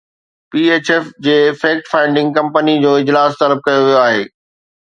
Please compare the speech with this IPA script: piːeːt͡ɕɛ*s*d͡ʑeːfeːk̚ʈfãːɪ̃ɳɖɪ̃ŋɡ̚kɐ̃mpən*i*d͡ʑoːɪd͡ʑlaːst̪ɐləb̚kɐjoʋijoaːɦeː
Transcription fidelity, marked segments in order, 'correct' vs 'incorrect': incorrect: f, correct

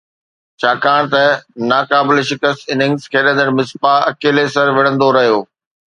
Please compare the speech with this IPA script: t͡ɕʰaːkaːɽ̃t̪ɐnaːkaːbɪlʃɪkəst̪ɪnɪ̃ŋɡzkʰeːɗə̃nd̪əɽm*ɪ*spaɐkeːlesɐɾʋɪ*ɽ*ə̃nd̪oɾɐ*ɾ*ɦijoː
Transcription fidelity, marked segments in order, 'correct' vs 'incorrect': correct, correct, incorrect: none

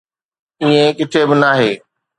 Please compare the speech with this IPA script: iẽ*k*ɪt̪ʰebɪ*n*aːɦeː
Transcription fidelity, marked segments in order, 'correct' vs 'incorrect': correct, correct

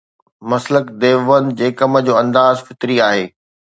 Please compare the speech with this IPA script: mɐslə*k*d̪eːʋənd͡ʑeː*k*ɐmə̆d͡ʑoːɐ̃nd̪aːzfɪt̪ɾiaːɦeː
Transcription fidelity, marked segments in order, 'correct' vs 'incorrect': correct, correct

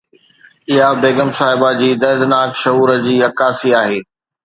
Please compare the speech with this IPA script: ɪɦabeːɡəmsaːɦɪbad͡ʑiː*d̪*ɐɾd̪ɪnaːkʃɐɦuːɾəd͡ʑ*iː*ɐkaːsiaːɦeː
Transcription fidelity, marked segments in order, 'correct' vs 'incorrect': correct, correct

